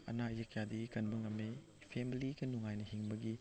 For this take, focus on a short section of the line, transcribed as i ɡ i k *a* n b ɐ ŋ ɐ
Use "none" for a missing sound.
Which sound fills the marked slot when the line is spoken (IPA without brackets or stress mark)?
ɐ